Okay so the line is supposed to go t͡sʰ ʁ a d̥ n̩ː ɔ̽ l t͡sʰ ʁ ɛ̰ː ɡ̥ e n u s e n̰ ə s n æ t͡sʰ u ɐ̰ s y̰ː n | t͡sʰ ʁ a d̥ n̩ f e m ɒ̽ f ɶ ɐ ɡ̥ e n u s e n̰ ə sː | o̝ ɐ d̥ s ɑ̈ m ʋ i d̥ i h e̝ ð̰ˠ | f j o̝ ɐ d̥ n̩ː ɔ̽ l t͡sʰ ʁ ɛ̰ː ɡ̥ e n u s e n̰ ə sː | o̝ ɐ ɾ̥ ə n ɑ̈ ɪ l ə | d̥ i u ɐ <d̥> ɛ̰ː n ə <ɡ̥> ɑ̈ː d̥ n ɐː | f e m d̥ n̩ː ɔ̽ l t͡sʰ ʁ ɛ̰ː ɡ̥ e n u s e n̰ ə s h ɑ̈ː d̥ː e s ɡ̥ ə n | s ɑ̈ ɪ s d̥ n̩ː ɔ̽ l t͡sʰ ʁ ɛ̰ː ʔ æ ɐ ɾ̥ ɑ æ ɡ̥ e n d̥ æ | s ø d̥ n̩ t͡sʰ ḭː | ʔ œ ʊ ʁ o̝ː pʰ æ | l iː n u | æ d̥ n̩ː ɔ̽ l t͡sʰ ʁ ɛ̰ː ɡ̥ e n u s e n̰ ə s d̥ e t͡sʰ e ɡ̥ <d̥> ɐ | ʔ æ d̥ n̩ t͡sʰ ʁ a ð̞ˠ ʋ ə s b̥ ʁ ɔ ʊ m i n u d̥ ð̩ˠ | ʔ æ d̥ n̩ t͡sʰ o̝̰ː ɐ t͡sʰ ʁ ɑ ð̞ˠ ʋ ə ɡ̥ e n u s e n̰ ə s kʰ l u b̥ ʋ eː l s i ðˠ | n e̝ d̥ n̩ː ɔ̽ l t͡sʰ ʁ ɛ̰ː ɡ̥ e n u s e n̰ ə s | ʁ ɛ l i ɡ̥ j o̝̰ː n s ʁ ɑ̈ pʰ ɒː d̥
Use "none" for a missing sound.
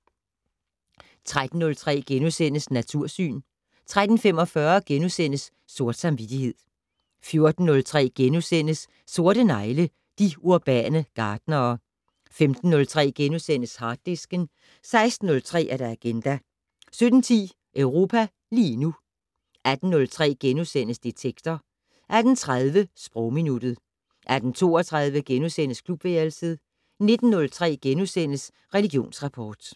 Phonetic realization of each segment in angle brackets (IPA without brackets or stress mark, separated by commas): b̥, ɡ̥, d̥